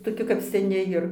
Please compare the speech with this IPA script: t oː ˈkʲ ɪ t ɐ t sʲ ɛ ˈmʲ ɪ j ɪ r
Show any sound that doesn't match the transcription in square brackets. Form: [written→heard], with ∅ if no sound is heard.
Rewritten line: t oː ˈkʲ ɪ [t→k] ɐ [t→p] sʲ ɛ [ˈmʲ→ˈnʲ] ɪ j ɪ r